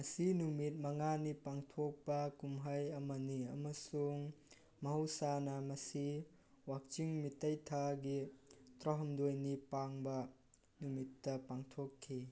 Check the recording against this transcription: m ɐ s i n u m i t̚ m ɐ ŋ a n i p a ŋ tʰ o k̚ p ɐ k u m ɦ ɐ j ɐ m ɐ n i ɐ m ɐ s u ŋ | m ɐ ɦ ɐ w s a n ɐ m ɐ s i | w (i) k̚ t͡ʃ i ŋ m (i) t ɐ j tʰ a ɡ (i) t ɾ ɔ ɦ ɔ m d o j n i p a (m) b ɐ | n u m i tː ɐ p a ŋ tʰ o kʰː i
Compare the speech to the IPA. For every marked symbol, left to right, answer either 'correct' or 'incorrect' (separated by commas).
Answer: incorrect, correct, correct, incorrect